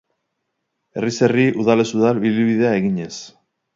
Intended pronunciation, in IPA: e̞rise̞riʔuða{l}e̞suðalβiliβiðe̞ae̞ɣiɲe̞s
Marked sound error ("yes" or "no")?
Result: no